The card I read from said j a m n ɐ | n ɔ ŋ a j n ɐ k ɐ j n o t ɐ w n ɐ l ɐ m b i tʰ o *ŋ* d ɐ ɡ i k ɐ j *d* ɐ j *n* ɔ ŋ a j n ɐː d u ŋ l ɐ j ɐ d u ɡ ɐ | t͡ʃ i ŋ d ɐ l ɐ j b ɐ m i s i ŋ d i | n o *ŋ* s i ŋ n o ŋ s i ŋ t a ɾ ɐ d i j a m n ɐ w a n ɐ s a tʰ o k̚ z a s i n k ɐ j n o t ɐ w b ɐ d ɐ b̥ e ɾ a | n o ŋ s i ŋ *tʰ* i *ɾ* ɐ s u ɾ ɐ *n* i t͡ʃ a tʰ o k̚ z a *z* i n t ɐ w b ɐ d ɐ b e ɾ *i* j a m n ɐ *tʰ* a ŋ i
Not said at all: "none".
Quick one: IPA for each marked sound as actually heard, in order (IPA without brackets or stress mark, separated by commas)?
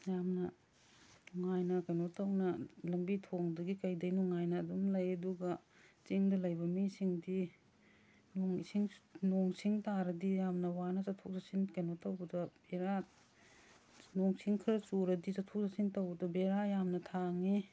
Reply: ŋ, d, n, ŋ, kʰ, ɾ, d, s, a, tʰ